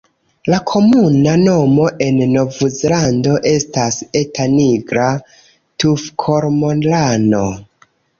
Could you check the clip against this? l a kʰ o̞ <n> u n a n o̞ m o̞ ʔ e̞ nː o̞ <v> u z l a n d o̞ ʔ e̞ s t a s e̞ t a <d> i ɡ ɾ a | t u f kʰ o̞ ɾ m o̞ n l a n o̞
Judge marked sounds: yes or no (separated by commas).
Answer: no, yes, no